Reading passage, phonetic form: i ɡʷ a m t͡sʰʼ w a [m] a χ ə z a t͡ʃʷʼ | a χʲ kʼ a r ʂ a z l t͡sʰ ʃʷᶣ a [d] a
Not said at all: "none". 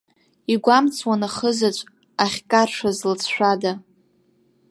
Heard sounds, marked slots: n, d

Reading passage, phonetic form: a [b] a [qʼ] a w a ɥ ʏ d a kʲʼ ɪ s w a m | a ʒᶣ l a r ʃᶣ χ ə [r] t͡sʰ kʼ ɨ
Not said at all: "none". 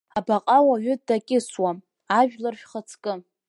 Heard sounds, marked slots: b, qʼ, none

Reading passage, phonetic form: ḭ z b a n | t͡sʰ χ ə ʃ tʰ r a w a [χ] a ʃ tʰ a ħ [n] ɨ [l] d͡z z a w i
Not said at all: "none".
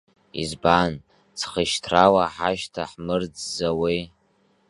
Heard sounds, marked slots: ħ, m, r

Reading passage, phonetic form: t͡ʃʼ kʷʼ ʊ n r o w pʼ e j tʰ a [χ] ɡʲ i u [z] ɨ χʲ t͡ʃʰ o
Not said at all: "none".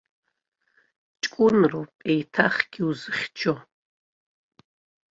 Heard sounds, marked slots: χ, z

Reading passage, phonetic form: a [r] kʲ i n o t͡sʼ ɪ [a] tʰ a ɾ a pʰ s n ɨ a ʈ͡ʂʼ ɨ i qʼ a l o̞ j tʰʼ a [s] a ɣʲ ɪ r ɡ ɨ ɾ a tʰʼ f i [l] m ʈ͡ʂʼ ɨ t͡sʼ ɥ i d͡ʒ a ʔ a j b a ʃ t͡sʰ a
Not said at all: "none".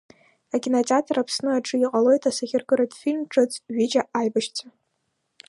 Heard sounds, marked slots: none, a, s, l

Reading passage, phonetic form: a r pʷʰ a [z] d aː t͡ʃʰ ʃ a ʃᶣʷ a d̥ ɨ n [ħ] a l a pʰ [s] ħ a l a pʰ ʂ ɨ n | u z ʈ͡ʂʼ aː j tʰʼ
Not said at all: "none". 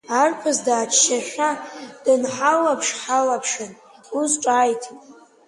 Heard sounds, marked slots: z, ħ, ʂ

